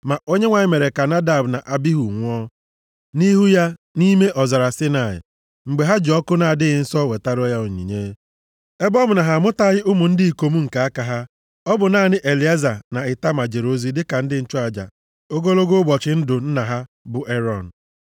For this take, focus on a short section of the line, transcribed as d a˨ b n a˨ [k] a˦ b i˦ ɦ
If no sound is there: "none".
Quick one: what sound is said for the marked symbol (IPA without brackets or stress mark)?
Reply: ʔ